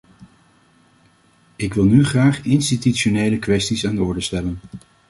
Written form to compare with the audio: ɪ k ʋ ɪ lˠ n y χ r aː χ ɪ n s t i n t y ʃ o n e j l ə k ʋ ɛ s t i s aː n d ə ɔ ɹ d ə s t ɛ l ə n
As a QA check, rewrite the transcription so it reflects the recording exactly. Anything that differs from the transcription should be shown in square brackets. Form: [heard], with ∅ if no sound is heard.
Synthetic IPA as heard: ɪ k ʋ ɪ lˠ n y χ r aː χ ɪ n s t i [∅] t y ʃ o n e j l ə k ʋ ɛ s t i s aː n d ə ɔ ɹ d ə s t ɛ l ə n